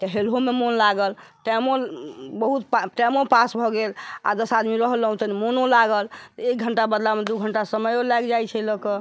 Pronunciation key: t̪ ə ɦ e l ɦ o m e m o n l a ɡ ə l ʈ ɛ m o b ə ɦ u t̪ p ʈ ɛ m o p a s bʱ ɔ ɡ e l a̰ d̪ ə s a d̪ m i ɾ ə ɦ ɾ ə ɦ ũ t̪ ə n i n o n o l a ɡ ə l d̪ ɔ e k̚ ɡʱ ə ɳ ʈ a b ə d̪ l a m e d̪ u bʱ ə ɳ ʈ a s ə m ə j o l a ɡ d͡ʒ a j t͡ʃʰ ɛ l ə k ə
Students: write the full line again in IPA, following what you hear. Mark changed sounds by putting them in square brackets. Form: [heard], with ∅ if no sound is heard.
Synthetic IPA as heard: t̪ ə ɦ e l ɦ o m e m o n l a ɡ ə l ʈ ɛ m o b ə ɦ u t̪ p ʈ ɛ m o p a s bʱ ɔ ɡ e l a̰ d̪ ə s a d̪ m i ɾ ə ɦ [l] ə ɦ ũ t̪ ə n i [m] o n o l a ɡ ə l [t̪] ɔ e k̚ ɡʱ ə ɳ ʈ a b ə d̪ l a m e d̪ u [ɡʱ] ə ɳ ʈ a s ə m ə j o l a ɡ d͡ʒ a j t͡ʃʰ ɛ l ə k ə